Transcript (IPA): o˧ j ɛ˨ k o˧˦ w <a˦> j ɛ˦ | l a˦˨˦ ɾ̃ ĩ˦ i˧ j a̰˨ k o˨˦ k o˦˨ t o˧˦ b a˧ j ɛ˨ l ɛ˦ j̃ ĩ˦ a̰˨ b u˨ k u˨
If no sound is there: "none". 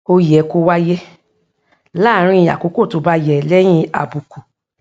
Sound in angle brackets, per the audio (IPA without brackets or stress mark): a˦